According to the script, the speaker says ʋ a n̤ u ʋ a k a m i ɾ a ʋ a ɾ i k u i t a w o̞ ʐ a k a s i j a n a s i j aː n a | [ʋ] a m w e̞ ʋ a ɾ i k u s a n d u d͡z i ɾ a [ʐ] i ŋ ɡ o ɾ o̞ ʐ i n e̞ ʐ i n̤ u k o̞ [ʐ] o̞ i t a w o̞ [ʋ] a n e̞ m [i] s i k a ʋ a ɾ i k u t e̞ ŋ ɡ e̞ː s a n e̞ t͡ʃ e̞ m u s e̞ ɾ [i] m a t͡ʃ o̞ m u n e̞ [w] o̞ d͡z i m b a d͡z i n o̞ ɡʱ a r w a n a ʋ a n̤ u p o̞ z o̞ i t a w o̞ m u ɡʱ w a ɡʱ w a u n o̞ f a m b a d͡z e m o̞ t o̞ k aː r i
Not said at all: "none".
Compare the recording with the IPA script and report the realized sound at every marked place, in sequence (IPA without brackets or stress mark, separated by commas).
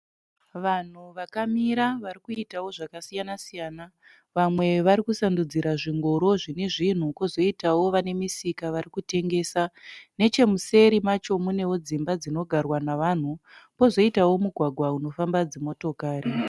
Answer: ʋ, ʐ, z, ʋ, i, i, w